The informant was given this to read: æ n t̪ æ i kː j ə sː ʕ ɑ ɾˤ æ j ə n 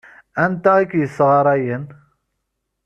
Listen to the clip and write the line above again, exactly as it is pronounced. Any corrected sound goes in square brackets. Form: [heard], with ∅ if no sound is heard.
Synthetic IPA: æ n t̪ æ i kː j ə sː [ʁ] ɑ ɾˤ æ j ə n

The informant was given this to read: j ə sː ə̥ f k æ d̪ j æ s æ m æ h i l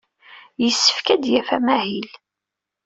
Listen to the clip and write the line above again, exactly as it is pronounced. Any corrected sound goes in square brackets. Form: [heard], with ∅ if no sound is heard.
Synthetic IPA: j ə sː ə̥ f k æ d̪ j æ [f] æ m æ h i l

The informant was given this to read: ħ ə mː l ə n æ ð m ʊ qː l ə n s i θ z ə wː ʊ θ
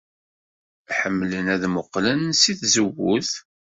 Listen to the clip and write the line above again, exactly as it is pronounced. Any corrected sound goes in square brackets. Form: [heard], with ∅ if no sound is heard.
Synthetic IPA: ħ ə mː l ə n æ ð m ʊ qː l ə n s i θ z ə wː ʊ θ

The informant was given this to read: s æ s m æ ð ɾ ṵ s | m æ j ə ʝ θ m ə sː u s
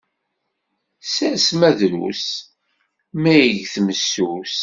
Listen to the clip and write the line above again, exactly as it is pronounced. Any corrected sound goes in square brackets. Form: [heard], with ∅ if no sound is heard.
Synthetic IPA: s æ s m æ ð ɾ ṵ s | m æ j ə ʝ θ m ə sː u s

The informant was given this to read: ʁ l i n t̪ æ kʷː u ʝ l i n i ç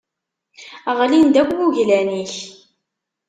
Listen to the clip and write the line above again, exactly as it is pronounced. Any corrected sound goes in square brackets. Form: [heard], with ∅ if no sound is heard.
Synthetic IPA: ʁ l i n [d̪] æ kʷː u ʝ l [æ] n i ç

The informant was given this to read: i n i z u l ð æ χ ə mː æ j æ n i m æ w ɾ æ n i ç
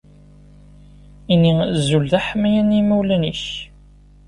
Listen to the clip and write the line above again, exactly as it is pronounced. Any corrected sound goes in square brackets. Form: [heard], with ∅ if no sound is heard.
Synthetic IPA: i n i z u l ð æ [ħ] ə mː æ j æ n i m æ w [l] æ n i ç

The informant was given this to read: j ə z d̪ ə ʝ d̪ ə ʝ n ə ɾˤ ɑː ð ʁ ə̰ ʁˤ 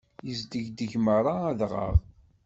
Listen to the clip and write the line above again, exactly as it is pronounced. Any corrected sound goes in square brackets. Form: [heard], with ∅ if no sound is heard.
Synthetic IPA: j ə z d̪ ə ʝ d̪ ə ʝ [m] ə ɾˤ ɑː ð ʁ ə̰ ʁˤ

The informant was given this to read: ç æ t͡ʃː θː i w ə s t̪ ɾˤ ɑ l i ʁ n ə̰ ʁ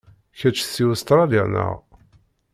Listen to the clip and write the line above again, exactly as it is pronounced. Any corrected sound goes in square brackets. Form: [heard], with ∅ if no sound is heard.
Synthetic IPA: ç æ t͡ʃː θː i w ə s t̪ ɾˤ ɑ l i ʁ n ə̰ ʁ

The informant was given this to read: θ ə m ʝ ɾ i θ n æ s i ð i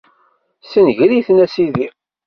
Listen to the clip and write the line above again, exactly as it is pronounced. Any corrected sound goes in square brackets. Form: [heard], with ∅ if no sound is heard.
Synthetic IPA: [s] ə [n] ʝ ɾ i θ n æ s i ð i

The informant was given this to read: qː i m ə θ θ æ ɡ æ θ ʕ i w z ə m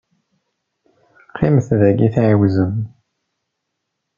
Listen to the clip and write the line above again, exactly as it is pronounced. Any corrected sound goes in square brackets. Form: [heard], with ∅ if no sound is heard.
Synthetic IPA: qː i m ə θ [ð] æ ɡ [i] θ ʕ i w z ə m

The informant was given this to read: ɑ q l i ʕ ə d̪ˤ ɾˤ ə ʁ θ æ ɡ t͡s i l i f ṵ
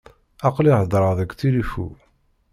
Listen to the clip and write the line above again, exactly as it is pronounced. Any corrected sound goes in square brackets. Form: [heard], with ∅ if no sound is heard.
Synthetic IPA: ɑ q l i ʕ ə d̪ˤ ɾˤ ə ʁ [ð] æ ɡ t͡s i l i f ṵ

